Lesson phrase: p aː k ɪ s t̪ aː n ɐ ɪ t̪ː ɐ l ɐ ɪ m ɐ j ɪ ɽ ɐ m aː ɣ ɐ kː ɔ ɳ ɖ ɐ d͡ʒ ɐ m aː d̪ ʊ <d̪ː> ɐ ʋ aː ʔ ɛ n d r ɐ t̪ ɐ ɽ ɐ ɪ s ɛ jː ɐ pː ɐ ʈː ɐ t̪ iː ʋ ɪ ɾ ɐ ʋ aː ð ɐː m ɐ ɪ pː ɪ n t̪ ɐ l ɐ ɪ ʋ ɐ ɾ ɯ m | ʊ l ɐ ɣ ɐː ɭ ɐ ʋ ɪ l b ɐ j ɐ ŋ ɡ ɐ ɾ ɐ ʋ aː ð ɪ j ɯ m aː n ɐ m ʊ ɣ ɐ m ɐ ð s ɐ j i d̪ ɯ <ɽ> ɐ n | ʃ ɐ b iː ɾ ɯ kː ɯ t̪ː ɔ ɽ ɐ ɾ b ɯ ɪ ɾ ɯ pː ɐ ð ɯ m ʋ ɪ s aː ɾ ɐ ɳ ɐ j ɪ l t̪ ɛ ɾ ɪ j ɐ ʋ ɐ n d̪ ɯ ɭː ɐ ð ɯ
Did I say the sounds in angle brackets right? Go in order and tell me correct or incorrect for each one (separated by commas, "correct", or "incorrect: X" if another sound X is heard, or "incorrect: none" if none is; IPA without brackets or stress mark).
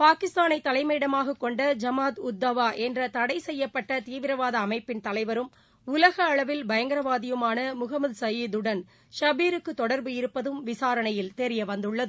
correct, correct